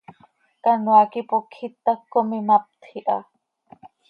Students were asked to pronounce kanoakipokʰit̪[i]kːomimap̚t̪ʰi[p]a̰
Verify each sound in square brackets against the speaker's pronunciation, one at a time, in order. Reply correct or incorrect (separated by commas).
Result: incorrect, incorrect